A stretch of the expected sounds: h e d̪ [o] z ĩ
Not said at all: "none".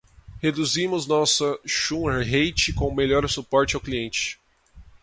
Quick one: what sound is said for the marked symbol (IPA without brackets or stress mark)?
u